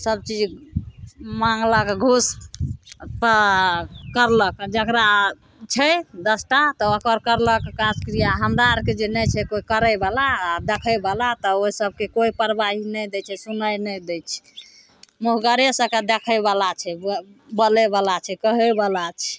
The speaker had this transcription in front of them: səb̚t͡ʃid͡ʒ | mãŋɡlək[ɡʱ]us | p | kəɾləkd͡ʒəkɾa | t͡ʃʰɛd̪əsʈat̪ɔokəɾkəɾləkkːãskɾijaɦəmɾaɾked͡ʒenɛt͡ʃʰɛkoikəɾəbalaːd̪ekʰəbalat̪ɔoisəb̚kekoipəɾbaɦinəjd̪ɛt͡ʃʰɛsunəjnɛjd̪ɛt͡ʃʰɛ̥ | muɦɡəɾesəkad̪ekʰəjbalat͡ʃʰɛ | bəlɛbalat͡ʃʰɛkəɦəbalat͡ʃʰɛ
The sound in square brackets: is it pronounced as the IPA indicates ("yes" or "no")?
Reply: yes